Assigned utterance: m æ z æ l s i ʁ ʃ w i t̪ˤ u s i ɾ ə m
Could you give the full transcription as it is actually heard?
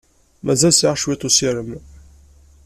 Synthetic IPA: m æ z æ l s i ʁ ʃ w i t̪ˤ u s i ɾ ə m